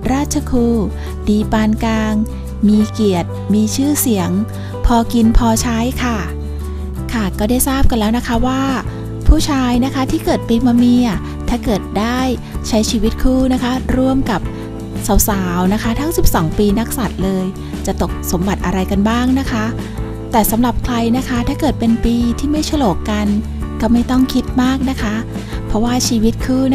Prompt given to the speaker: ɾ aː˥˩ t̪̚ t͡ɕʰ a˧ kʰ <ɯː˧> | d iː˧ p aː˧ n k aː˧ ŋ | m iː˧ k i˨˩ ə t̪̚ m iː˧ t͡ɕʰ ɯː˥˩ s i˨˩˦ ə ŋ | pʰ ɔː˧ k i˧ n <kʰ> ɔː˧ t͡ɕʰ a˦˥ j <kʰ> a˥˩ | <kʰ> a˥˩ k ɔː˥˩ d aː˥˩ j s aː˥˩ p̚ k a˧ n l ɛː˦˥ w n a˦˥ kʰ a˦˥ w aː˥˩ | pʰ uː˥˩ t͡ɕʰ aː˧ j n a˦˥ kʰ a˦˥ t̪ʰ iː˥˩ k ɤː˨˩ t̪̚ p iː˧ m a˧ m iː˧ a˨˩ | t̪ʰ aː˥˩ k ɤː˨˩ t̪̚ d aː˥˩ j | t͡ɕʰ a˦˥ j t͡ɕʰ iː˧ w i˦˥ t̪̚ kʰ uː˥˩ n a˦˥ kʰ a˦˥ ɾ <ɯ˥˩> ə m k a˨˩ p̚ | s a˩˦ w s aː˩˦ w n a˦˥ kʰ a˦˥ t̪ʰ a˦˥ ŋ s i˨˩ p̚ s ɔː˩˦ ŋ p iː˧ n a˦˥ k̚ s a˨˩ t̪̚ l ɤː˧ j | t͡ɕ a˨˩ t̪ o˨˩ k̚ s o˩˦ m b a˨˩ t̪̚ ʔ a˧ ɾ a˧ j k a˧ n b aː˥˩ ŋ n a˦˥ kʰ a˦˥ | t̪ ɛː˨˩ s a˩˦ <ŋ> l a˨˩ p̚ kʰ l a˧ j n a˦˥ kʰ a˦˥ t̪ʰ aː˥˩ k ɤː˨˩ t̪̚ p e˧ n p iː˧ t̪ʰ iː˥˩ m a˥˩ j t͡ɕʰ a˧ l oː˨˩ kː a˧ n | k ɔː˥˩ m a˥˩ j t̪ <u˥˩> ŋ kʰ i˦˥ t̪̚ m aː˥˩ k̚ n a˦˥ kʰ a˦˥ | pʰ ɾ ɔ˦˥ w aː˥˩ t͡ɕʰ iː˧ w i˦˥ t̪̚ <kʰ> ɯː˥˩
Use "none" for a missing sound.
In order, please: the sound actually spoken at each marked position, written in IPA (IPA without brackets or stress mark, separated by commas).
uː˧, pʰ, kʰ, kʰ, u˥˩, m, ɔ˥˩, kʰ